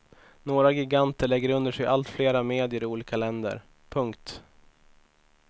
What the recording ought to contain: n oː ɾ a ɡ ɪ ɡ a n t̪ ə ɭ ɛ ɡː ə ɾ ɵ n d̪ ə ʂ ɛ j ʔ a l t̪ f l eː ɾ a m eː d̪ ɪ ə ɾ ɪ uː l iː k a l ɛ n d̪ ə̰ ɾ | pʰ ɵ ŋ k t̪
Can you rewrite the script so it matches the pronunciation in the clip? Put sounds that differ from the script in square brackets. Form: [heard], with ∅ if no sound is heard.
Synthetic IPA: n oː ɾ a ɡ ɪ ɡ a n t̪ ə ɭ ɛ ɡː ə ɾ ɵ n d̪ ə ʂ ɛ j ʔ a l t̪ f l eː ɾ a m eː d̪ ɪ ə ɾ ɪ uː l iː k a l ɛ n d̪ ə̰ ɾ | pʰ ɵ ŋ k t̪